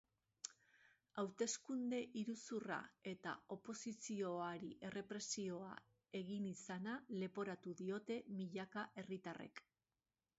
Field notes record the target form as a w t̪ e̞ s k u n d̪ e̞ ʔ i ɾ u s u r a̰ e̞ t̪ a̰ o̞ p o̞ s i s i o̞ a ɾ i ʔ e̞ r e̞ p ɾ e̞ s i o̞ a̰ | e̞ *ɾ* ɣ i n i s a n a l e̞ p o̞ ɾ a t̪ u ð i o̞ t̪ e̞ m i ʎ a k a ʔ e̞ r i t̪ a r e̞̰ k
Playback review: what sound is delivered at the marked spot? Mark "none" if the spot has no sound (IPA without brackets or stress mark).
none